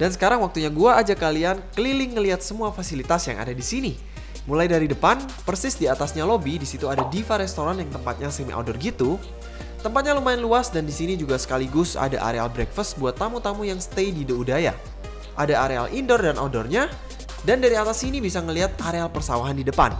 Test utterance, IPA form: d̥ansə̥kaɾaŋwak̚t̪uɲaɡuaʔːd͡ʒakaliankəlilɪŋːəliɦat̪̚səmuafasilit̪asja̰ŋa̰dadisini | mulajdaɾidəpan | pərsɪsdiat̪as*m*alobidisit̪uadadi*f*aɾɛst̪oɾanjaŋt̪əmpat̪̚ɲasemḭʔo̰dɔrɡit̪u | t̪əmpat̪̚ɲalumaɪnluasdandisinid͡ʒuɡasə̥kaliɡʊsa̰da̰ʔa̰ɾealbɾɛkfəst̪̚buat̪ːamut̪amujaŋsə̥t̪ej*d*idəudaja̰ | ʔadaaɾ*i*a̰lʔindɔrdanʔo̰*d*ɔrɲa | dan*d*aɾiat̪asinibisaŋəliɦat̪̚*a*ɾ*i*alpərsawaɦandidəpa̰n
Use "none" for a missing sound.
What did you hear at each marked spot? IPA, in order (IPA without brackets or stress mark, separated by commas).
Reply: ɲ, f, d, e, d, d, a, e